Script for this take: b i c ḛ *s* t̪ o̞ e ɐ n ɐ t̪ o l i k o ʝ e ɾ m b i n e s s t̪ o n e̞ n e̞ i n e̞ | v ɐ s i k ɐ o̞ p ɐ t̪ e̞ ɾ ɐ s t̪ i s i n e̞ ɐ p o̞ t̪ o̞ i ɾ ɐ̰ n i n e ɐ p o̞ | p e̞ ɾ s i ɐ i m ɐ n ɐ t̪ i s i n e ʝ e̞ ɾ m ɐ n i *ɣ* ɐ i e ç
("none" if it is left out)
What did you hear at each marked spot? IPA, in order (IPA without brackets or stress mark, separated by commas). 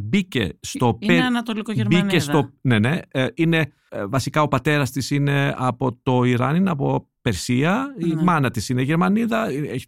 s, ð